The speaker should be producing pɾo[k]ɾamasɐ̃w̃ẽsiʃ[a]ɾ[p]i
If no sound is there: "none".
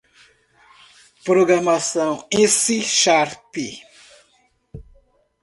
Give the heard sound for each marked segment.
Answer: ɡ, a, p

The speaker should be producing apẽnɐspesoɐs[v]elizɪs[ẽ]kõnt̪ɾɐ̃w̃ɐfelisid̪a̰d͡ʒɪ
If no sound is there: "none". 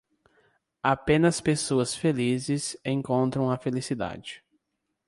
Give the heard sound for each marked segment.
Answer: f, ẽ

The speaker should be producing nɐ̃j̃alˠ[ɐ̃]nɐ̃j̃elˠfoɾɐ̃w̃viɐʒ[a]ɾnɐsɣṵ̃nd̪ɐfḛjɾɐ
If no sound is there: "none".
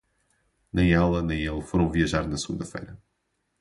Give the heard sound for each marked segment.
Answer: ɐ, a

